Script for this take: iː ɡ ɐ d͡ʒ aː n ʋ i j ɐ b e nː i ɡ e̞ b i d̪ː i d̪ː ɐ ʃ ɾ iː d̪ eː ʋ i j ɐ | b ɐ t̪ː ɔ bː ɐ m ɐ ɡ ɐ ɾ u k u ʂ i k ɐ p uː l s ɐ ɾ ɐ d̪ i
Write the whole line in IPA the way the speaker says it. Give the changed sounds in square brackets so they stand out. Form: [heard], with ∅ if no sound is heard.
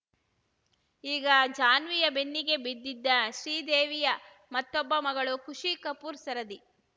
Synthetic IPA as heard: iː ɡ ɐ d͡ʒ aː n ʋ i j ɐ b e nː i ɡ e̞ b i d̪ː i d̪ː ɐ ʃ ɾ iː d̪ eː ʋ i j ɐ | [m] ɐ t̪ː ɔ bː ɐ m ɐ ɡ ɐ [ɭ] u k u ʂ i k ɐ p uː [ɾ] s ɐ ɾ ɐ d̪ i